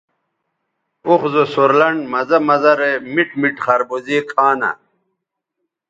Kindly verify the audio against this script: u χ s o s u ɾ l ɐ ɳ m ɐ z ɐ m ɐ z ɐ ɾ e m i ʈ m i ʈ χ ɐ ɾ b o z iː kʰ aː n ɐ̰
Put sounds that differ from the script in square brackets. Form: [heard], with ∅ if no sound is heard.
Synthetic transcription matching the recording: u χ [z] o s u ɾ l ɐ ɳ m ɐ z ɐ m ɐ z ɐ ɾ e m i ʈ m i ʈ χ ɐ ɾ b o z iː kʰ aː n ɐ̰